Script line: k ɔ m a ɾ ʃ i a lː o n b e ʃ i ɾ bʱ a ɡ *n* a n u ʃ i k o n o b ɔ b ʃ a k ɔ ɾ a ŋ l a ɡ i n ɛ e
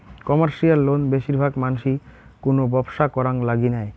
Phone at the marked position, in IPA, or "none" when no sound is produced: m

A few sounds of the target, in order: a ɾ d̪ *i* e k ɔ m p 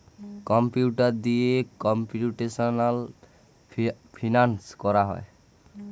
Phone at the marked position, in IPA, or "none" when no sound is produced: i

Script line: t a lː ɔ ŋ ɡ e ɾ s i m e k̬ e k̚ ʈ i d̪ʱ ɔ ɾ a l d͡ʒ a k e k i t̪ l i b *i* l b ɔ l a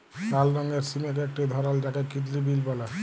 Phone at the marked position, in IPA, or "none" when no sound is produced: i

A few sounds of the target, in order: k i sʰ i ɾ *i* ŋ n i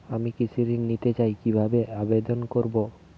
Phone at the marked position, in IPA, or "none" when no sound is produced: i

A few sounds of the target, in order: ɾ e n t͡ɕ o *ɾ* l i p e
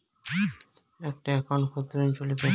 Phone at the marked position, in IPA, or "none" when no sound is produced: none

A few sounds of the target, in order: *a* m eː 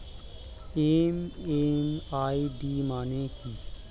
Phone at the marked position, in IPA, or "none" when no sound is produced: e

